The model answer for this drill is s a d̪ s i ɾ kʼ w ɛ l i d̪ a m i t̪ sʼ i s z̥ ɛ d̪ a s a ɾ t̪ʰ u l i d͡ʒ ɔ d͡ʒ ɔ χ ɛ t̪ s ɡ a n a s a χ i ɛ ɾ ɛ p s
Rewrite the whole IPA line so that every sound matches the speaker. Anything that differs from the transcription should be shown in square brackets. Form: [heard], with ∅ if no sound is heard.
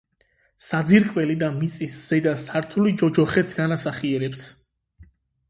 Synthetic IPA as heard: s a d̪ [z] i ɾ kʼ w ɛ l i d̪ a m i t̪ sʼ i s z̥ ɛ d̪ a s a ɾ t̪ʰ u l i d͡ʒ ɔ d͡ʒ ɔ χ ɛ t̪ s ɡ a n a s a χ i ɛ ɾ ɛ p s